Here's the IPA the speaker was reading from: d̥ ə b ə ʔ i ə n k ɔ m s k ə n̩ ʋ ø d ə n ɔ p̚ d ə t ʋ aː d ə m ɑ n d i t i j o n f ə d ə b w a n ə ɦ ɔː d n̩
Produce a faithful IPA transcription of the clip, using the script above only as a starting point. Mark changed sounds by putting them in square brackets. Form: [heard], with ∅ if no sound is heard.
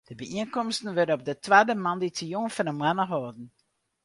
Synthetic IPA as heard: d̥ ə b ə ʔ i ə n k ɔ m s [t] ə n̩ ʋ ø d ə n ɔ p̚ d ə t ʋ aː d ə m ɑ n d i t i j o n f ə [n] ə [m] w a n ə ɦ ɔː d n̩